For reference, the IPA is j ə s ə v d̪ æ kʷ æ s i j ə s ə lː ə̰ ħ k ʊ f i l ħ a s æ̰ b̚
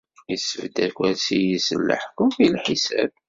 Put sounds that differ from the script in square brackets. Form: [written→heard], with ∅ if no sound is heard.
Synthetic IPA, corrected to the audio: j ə s ə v d̪ æ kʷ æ s i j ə s ə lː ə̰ ħ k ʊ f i l ħ [a→i] s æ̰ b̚